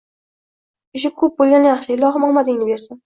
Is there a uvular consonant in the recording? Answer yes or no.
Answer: yes